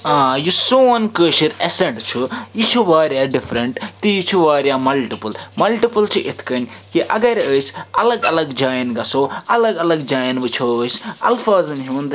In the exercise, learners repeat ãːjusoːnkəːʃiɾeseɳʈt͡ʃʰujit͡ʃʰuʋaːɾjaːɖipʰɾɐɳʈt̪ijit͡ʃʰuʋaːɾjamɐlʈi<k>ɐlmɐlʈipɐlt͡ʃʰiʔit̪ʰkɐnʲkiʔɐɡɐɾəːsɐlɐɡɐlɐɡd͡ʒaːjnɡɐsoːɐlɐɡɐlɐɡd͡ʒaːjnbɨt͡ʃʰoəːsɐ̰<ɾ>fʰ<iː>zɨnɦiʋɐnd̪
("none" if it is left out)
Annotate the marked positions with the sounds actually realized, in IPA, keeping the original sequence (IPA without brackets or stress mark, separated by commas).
p, l, aː